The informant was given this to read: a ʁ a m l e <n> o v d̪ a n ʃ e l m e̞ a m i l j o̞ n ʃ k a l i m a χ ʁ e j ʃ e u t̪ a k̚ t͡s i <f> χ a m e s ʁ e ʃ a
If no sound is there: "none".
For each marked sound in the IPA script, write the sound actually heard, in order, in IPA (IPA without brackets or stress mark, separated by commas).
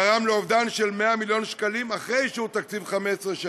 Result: none, v